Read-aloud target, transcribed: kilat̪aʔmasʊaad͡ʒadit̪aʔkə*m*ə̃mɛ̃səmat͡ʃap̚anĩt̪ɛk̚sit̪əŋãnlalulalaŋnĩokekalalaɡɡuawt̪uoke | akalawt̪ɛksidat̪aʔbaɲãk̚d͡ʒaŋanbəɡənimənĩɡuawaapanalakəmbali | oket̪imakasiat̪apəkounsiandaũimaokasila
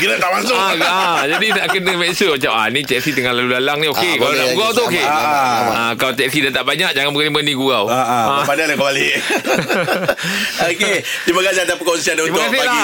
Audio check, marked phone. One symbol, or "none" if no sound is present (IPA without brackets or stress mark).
n